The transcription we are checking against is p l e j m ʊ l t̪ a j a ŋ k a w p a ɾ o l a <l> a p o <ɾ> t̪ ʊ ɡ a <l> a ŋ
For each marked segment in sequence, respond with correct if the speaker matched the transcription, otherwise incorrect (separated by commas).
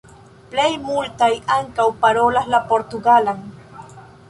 correct, correct, correct